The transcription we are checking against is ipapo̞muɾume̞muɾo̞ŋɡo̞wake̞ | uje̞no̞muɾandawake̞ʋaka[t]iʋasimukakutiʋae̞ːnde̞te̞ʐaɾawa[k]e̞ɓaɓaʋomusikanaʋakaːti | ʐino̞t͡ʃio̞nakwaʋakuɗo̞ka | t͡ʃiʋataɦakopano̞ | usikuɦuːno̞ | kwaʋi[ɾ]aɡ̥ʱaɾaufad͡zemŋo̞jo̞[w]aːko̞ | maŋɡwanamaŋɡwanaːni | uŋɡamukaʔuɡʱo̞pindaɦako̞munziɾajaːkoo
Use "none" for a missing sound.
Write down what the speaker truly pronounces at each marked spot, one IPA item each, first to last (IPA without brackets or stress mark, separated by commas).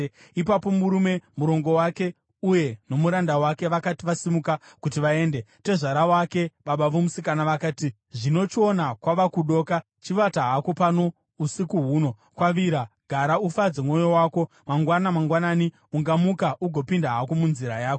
t, k, ɾ, w